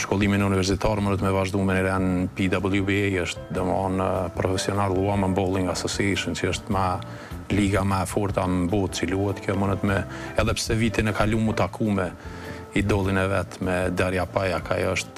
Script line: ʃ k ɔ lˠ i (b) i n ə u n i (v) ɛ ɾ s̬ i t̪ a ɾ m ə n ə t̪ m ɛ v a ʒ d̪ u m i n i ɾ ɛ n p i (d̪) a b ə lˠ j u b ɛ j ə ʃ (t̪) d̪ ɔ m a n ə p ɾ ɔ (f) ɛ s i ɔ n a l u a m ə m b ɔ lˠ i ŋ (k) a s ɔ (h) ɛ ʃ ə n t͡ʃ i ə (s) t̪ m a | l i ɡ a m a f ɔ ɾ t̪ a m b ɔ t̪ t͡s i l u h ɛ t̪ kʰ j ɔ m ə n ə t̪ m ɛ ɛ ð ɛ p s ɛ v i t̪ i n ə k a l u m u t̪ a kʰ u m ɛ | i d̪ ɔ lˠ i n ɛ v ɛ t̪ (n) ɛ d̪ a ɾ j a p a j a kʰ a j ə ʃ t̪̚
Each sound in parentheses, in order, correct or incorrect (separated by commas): incorrect, correct, correct, correct, correct, incorrect, incorrect, incorrect, incorrect